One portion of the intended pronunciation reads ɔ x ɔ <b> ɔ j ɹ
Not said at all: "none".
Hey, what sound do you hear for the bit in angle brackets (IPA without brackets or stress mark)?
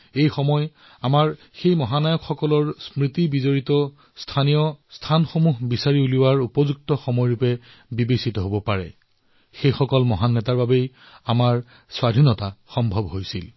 m